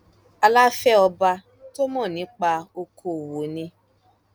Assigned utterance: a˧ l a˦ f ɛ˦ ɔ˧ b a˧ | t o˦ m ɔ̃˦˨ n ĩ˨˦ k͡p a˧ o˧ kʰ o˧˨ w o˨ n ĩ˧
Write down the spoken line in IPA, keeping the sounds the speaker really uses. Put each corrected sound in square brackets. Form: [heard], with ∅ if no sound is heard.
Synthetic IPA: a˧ l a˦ f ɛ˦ ɔ˧ b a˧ | t o˦ m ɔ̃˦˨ n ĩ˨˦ k͡p a˧ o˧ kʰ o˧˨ w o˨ n ĩ˧